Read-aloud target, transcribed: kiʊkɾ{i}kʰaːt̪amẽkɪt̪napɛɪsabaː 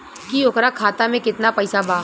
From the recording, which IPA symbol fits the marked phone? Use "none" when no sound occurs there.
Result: a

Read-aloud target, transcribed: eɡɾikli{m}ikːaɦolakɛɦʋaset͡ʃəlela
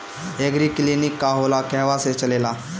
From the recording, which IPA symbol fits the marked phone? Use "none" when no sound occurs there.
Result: n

